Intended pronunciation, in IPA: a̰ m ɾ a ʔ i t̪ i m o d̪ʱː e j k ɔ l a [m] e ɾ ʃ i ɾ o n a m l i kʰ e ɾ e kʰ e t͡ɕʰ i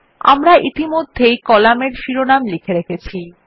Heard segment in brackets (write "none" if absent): m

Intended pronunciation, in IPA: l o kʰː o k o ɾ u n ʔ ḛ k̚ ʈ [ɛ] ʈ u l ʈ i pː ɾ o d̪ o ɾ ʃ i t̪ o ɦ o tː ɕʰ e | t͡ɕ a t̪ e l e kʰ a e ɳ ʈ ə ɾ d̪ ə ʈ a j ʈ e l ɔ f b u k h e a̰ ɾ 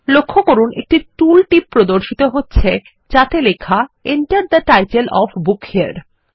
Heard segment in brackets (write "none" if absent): i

